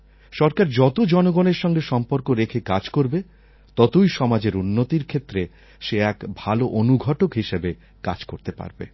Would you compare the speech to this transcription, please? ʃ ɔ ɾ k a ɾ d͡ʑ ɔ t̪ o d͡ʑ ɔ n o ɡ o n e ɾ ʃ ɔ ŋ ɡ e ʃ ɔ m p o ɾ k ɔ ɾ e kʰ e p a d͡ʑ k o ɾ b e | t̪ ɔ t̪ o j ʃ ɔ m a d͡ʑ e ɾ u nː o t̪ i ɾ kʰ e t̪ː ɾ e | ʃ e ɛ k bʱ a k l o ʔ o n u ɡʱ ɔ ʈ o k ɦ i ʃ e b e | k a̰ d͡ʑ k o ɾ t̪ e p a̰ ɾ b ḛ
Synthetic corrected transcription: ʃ ɔ ɾ k a ɾ d͡ʑ ɔ t̪ o d͡ʑ ɔ n o ɡ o n e ɾ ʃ ɔ ŋ ɡ e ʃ ɔ m p o ɾ k o ɾ e kʰ e k a d͡ʑ k o ɾ b e | t̪ ɔ t̪ o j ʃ ɔ m a d͡ʑ e ɾ u nː o t̪ i ɾ kʰ e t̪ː ɾ e | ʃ e ɛ k bʱ a l o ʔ o n u ɡʱ ɔ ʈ o k ɦ i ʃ e b e | k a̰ d͡ʑ k o ɾ t̪ e p a̰ ɾ b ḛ